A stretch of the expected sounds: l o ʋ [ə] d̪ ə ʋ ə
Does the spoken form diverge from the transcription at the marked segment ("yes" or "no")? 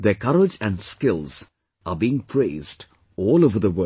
no